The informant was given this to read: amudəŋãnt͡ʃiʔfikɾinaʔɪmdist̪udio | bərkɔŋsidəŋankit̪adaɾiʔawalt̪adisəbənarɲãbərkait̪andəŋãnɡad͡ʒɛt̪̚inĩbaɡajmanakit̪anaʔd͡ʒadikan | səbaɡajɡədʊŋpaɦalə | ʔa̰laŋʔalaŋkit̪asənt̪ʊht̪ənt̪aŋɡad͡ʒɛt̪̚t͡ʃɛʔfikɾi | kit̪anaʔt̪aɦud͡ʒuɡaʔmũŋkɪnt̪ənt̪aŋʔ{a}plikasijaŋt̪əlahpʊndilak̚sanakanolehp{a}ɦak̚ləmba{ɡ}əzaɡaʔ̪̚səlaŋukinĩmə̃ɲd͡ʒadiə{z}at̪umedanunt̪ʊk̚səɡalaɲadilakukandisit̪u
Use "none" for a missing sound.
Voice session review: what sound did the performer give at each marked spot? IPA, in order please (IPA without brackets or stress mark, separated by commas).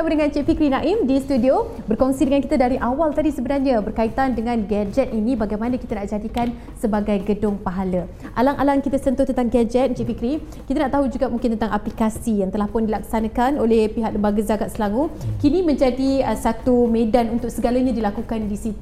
a, i, ɡ, s